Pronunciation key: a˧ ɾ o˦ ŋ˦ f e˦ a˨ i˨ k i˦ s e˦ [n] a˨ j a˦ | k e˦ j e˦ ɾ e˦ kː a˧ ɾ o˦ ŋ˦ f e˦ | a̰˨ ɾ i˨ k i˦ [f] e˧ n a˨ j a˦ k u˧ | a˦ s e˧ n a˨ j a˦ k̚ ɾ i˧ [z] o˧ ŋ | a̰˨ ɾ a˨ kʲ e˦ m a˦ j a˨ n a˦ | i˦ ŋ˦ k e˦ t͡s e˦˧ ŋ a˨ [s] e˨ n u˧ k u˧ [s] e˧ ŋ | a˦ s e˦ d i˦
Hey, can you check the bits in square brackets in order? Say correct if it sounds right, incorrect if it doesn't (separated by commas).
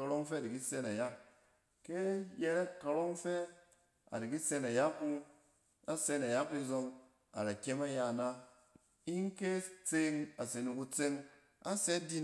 correct, incorrect, correct, correct, incorrect